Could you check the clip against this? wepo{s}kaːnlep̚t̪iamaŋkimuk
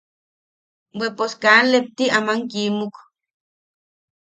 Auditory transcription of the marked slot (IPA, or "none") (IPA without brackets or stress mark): s